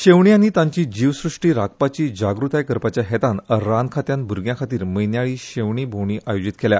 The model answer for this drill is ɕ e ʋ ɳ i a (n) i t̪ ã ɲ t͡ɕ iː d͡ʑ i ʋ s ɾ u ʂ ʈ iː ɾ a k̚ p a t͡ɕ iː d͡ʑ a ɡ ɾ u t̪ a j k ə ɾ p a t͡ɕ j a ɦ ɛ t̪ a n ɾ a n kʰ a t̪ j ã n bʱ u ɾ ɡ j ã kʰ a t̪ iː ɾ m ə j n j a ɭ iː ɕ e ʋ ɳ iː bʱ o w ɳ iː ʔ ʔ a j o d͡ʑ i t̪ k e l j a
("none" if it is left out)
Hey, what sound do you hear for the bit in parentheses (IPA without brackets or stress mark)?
n